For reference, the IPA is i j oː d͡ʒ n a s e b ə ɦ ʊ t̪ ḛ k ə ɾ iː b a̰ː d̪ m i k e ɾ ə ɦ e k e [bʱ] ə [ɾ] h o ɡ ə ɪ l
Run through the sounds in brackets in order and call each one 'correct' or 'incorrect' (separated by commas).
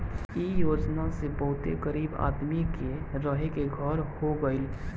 incorrect, correct